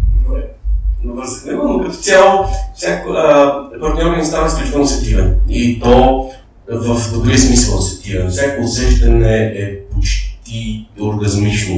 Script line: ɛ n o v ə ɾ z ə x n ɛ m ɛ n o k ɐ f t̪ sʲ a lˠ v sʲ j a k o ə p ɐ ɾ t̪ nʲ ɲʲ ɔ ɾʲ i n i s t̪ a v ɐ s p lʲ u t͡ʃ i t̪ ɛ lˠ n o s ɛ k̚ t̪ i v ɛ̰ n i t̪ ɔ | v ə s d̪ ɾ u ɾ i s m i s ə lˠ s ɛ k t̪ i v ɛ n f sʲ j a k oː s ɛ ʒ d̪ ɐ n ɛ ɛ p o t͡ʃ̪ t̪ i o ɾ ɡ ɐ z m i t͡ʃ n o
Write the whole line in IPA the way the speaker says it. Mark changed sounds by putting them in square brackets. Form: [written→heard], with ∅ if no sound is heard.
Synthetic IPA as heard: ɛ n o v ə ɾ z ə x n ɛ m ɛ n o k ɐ f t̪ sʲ a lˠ [v→f] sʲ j a k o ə p ɐ ɾ t̪ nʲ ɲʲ ɔ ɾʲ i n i s t̪ a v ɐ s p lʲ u t͡ʃ i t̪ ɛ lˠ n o s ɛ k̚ t̪ i v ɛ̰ n i t̪ ɔ | v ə [s→f] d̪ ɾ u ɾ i s m i s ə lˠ s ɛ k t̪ i v ɛ n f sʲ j a k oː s ɛ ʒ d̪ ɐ n ɛ ɛ p o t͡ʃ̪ t̪ i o ɾ ɡ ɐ z m i t͡ʃ n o